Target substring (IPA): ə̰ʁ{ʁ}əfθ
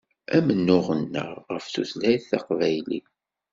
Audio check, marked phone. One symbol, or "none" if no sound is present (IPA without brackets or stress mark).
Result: ʁ